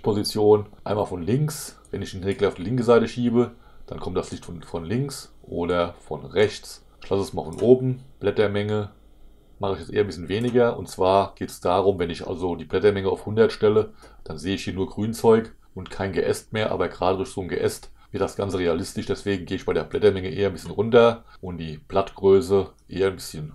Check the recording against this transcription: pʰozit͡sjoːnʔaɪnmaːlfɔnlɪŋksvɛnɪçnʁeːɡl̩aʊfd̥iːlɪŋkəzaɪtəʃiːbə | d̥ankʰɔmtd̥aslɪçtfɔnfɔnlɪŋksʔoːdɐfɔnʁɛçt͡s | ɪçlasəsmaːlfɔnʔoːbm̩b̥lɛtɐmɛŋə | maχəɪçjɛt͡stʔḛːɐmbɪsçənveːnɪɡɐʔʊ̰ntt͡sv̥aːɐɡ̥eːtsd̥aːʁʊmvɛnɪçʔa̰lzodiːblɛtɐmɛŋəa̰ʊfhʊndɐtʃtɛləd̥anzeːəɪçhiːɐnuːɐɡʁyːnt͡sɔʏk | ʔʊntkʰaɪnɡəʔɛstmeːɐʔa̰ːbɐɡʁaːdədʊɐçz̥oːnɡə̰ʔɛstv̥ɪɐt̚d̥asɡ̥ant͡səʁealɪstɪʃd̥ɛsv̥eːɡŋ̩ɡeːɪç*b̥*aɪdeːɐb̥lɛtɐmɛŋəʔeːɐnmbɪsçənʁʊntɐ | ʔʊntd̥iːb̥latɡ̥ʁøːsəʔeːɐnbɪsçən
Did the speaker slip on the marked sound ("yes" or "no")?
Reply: no